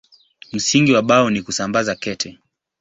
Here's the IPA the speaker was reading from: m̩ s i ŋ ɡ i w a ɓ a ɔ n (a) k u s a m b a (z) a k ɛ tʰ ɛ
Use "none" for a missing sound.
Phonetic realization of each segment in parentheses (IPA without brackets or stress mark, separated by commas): i, z